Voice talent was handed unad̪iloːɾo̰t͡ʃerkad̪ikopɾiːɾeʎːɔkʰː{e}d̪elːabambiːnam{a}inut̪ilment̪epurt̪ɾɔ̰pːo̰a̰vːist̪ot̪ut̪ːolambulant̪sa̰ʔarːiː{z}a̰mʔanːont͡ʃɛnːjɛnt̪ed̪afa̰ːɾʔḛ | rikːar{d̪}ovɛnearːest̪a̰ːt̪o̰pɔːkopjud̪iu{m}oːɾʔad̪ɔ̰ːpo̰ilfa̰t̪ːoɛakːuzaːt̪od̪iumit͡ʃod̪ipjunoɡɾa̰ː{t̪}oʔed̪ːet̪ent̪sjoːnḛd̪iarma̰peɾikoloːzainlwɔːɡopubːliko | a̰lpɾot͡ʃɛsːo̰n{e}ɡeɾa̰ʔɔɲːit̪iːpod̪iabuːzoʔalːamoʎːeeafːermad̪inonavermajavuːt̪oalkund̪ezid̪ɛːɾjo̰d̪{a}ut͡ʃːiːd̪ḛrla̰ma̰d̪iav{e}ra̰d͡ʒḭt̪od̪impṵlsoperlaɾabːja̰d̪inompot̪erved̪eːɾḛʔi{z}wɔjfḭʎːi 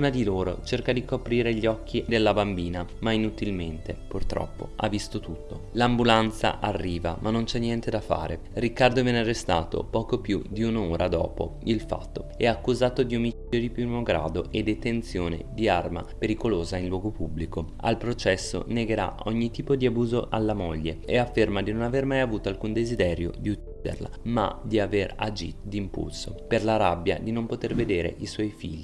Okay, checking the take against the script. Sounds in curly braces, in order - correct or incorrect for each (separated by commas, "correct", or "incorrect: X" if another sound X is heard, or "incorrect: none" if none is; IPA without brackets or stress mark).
incorrect: i, correct, incorrect: v, correct, incorrect: n, incorrect: d̪, correct, incorrect: i, correct, incorrect: s